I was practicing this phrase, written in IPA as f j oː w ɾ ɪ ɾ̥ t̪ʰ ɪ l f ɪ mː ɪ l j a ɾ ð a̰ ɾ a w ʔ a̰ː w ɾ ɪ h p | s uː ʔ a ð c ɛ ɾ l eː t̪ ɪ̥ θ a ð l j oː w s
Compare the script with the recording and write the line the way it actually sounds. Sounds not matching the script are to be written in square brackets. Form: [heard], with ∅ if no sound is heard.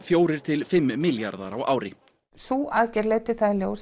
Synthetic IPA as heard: f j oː w ɾ ɪ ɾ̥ t̪ʰ ɪ l f ɪ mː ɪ l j a ɾ ð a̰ ɾ a w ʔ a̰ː w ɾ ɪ h p | s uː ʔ a ð c ɛ ɾ l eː t̪ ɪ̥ θ a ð l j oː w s